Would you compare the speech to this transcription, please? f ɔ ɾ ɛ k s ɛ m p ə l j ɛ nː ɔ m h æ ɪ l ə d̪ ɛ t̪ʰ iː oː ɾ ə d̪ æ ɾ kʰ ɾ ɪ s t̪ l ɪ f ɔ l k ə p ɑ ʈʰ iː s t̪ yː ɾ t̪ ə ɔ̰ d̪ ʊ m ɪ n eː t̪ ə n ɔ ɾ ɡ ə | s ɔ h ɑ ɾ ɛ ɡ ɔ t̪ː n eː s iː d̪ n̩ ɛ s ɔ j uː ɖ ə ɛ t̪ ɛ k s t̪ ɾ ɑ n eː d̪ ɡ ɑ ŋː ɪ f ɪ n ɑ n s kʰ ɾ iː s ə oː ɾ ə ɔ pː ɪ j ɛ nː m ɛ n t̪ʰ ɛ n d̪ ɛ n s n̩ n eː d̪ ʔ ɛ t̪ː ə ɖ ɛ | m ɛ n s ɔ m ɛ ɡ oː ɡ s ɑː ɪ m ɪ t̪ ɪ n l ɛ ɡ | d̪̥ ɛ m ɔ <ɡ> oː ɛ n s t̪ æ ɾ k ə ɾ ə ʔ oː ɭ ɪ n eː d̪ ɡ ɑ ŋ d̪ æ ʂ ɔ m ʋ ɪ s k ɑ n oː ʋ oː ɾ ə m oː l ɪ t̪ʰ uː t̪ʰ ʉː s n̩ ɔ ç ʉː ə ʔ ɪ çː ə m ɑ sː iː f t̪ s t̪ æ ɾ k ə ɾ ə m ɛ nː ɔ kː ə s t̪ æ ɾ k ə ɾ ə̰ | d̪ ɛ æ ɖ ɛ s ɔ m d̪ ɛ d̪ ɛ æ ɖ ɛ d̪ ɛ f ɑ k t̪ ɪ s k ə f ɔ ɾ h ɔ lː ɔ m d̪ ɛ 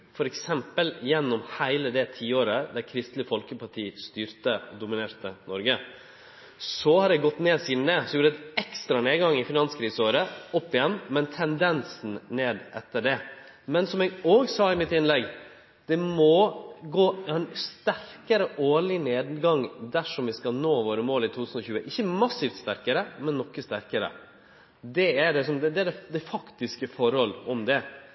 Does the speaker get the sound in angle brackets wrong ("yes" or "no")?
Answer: no